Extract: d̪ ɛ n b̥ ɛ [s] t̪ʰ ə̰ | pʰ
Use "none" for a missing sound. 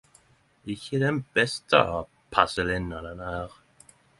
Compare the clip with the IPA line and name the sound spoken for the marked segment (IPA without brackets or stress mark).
s